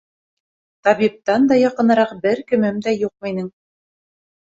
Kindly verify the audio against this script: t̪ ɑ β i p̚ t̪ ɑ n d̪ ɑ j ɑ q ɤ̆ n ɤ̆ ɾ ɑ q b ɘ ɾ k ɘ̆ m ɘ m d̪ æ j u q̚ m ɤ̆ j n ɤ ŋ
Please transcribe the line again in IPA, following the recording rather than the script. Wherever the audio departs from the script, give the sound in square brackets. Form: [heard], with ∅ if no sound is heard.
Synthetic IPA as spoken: t̪ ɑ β i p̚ t̪ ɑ n d̪ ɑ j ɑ q ɤ̆ n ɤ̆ ɾ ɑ q b ɘ ɾ k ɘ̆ m ɘ m d̪ æ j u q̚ m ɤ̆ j n ɤ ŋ